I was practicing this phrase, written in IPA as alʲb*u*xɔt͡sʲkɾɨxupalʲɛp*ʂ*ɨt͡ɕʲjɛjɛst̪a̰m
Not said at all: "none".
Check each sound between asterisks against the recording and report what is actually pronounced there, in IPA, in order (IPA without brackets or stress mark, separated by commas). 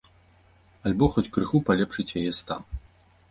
ɔ, ʂ